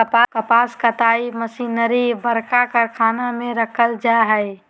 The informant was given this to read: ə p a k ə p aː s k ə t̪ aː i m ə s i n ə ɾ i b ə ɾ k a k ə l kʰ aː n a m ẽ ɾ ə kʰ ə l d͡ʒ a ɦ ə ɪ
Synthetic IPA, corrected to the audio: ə p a k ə p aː s k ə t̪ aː i m ə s i n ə ɾ i b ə ɾ k a k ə ɾ kʰ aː n a m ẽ ɾ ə kʰ ə l d͡ʒ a ɦ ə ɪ